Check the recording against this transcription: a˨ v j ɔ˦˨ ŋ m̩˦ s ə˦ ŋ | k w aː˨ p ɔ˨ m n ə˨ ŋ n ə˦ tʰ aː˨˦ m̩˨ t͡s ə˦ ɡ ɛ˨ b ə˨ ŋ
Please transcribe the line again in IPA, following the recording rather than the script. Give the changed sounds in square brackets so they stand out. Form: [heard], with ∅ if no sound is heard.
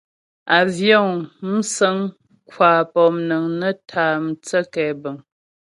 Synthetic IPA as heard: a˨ v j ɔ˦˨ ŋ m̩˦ s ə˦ ŋ | k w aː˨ p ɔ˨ m n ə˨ ŋ n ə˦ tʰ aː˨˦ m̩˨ t͡s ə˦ [k] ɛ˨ b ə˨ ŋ